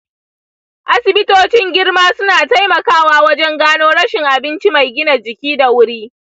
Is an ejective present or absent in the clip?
absent